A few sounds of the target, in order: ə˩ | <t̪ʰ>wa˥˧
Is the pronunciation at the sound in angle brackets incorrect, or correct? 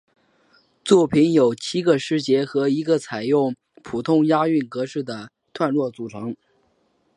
correct